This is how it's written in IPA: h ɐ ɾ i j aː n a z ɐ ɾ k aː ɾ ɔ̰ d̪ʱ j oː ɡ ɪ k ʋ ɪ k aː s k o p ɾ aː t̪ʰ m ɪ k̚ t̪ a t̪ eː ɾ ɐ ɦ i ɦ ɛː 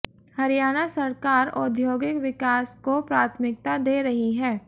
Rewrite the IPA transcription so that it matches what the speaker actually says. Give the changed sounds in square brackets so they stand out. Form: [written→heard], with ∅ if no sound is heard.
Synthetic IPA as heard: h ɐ ɾ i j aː n a [z→s] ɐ ɾ k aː ɾ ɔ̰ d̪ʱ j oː ɡ ɪ k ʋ ɪ k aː s k o p ɾ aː t̪ʰ m ɪ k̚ t̪ a [t̪→d̪] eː ɾ ɐ ɦ i ɦ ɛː